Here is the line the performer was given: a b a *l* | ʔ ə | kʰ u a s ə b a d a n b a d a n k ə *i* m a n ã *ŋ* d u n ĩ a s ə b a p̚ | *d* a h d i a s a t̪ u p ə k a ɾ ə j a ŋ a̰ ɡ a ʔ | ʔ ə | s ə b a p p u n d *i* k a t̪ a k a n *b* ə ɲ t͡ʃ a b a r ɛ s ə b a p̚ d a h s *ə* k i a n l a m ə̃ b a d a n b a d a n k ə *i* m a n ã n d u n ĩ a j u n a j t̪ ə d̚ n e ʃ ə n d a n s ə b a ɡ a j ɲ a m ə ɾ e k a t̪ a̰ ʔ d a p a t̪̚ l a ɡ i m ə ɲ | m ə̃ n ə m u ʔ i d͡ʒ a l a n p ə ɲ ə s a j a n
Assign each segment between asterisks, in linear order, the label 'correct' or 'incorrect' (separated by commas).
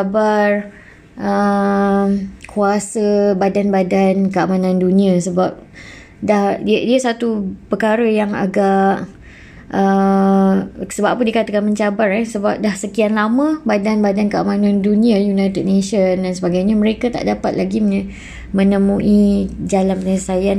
incorrect, incorrect, incorrect, correct, correct, incorrect, correct, incorrect